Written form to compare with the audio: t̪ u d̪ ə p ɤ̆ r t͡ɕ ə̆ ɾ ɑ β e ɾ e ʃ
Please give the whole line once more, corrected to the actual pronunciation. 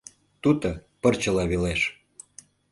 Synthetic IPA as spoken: t̪ u t̪ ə p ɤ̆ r t͡ɕ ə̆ l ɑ β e l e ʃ